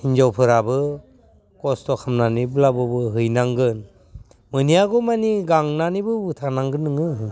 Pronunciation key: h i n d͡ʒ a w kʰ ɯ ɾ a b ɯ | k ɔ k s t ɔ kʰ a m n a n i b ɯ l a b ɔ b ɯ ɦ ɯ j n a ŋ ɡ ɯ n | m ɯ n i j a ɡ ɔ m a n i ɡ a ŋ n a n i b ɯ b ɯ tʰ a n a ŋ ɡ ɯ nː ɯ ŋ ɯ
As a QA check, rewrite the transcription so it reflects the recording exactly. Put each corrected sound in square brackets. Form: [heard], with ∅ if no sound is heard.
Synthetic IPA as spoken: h i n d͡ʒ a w [pʰ] ɯ ɾ a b ɯ | k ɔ [∅] s t ɔ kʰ a m n a n i b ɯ l a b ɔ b ɯ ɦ ɯ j n a ŋ ɡ ɯ n | m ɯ n i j a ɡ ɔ m a n i ɡ a ŋ n a n i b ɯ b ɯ tʰ a n a ŋ ɡ ɯ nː ɯ ŋ ɯ